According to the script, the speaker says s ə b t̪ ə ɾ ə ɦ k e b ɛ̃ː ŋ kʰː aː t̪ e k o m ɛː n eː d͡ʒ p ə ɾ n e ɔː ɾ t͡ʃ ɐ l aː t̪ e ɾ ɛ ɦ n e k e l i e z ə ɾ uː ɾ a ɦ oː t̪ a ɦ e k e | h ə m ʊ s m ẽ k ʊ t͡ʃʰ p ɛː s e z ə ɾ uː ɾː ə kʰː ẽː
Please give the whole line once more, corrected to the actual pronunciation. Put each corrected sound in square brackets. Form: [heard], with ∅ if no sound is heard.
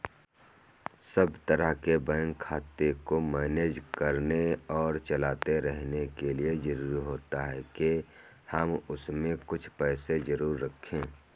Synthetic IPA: s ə b t̪ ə ɾ ə ɦ k e b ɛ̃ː ŋ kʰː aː t̪ e k o m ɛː n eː d͡ʒ [k] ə ɾ n e ɔː ɾ t͡ʃ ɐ l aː t̪ e ɾ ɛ ɦ n e k e l i e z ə ɾ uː ɾ [i] ɦ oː t̪ a ɦ [ɛ] k e | h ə m ʊ s m ẽ k ʊ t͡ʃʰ p ɛː s e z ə ɾ uː ɾː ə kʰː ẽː